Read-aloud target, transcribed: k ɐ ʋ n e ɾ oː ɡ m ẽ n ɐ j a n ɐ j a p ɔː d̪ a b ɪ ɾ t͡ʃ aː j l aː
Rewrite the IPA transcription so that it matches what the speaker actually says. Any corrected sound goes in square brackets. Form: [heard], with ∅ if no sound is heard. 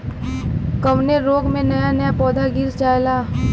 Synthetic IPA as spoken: k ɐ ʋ n e ɾ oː ɡ m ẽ n ɐ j a n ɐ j a p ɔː d̪ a [ɡ] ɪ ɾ t͡ʃ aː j l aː